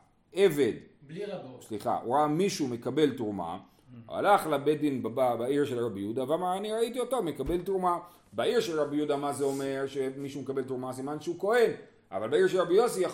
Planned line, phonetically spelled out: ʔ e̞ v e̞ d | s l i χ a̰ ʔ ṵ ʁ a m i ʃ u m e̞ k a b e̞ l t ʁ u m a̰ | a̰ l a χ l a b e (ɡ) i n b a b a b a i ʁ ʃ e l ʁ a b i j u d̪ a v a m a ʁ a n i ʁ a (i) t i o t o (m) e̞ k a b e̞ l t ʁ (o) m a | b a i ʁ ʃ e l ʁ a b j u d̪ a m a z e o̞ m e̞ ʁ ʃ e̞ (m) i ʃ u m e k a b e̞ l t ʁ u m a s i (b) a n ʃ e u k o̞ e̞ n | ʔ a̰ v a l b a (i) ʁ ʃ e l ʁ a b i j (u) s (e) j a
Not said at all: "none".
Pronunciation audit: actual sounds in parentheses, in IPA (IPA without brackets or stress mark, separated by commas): d, i, m, u, m, m, i, o, i